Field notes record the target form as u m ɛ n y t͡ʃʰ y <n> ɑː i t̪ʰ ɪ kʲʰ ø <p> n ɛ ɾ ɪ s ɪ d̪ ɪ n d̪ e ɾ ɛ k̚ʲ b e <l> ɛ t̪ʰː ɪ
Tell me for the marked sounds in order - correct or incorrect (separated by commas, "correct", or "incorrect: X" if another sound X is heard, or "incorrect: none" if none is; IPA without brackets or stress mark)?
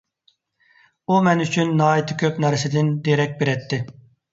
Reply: incorrect: nː, correct, incorrect: ɾ